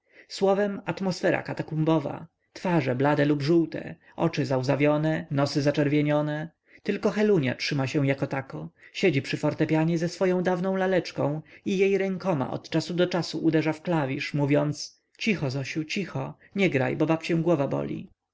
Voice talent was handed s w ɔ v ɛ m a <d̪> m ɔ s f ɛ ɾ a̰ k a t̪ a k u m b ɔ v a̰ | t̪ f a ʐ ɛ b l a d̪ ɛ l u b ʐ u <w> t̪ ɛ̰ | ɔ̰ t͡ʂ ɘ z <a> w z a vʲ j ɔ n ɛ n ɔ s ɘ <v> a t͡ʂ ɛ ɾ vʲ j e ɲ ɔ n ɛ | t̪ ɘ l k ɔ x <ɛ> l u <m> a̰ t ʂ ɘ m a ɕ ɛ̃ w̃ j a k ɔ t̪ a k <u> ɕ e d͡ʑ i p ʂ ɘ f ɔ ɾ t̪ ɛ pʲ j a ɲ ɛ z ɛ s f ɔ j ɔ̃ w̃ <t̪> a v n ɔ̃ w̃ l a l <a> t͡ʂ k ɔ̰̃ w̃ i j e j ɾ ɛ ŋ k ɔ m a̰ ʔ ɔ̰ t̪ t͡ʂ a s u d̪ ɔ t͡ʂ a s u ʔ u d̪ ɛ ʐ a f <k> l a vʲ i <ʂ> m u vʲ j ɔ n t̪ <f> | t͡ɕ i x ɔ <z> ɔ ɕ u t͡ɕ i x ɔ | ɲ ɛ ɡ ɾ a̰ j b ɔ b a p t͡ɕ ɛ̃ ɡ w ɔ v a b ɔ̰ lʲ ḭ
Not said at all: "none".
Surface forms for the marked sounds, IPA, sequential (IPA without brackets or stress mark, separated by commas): t̪, w, a, z, ɛ, ɲ, ɔ, d̪, ɛ, k, ʂ, s, z